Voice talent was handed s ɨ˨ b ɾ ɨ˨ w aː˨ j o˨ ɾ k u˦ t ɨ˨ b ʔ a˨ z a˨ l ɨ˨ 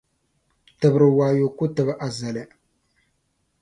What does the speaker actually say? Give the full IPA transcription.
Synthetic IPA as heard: t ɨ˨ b ɾ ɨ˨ w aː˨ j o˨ k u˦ t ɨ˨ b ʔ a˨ z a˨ l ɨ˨

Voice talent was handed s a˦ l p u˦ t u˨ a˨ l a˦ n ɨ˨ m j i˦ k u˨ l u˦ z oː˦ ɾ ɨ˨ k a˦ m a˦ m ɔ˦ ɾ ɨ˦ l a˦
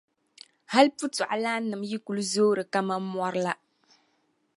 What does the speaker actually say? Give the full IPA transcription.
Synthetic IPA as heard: h a˦ l p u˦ t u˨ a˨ l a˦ n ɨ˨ m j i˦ k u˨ l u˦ z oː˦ ɾ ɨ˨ k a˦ m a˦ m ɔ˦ ɾ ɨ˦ l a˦

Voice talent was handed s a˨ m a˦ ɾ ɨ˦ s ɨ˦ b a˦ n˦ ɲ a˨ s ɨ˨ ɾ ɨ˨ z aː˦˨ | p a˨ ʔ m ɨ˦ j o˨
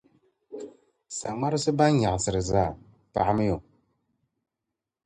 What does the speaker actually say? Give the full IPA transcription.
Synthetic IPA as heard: s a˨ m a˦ ɾ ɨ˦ s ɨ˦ b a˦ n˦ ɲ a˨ s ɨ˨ ɾ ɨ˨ z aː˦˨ | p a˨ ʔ m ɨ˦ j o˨

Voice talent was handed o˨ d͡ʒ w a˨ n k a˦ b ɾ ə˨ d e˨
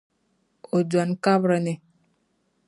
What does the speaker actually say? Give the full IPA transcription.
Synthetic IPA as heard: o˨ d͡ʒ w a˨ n k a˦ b ɾ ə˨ n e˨

